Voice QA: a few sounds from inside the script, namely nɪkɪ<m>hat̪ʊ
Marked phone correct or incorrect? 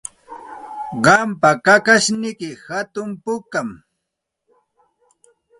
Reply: incorrect: none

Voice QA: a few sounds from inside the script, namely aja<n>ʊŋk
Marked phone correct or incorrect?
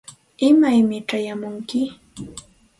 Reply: incorrect: m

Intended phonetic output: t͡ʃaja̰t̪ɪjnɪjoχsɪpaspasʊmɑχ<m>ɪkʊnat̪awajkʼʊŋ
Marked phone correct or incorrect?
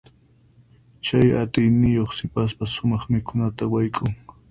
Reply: correct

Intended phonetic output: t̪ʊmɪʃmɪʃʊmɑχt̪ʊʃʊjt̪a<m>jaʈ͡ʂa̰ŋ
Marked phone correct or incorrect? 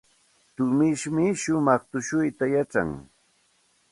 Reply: incorrect: none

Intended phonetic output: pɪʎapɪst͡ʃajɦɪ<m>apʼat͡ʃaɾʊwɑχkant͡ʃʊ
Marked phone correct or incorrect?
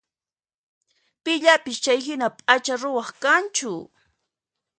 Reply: incorrect: n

